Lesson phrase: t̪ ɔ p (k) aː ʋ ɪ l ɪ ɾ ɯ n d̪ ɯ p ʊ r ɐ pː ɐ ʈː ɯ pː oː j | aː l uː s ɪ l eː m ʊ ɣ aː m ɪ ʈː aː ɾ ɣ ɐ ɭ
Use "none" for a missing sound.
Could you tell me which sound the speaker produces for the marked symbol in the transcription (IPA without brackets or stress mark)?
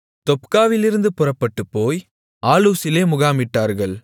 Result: k